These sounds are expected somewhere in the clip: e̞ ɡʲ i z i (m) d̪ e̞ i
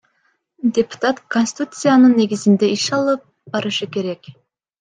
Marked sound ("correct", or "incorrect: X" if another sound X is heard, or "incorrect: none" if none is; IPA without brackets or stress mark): incorrect: n